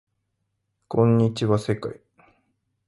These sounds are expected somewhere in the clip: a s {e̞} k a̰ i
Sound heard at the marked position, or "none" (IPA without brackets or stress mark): e̞